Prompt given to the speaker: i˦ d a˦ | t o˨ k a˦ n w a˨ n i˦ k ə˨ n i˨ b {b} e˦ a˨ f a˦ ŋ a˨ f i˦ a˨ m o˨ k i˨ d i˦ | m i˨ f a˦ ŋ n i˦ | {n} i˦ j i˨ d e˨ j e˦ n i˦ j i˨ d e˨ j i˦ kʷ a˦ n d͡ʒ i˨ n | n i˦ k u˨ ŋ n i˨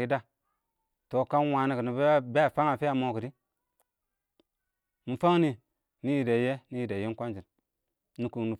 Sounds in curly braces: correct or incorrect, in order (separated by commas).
correct, correct